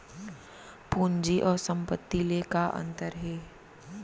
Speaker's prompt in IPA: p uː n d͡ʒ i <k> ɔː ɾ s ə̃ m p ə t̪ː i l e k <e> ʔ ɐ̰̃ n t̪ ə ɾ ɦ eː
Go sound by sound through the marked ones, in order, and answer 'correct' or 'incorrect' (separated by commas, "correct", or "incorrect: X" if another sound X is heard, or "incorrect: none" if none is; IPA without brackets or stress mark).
incorrect: ʔ, incorrect: a